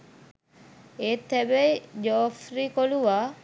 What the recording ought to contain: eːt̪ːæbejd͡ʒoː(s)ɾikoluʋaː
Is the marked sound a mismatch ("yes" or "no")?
yes